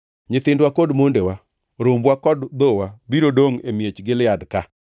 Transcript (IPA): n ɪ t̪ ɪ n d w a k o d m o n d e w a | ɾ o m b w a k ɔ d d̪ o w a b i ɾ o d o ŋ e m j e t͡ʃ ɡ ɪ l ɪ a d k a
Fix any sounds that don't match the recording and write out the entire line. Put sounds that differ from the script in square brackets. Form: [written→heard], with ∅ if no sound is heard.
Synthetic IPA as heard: [n→ɲ] ɪ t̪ ɪ n d w a k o d m o n d e w a | ɾ o m b w a k ɔ d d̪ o w a b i ɾ o d o ŋ e m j e t͡ʃ ɡ ɪ l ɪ a d k a